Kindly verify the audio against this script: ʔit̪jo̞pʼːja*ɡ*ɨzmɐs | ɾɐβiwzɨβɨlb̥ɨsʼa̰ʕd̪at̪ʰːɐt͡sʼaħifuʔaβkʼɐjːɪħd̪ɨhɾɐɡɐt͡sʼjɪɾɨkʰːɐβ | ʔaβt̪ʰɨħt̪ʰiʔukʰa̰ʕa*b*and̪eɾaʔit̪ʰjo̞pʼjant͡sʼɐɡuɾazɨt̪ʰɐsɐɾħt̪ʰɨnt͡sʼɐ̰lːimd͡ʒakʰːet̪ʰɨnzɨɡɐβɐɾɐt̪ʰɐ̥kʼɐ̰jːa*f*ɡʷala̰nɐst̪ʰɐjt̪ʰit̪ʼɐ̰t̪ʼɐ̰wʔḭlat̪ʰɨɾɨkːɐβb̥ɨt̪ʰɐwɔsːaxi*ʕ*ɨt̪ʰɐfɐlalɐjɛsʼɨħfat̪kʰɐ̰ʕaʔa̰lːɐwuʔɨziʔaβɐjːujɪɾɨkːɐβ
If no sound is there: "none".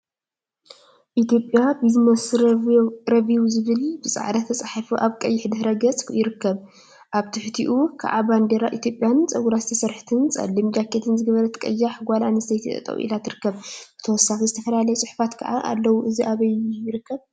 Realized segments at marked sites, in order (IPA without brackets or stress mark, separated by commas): b, b, ħ, z